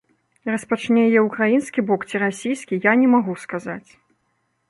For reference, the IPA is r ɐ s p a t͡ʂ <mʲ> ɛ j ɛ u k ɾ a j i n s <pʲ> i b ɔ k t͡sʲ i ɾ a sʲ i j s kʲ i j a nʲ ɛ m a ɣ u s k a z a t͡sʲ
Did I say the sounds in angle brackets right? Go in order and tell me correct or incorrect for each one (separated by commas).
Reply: incorrect, incorrect